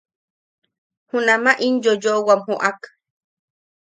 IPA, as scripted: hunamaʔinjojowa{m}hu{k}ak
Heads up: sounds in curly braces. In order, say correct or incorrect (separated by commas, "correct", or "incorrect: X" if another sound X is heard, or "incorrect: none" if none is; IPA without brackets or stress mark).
correct, incorrect: ʔ